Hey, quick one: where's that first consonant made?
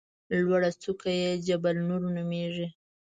tongue tip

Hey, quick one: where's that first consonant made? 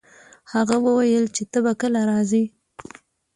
throat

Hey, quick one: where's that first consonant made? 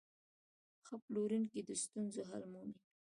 velum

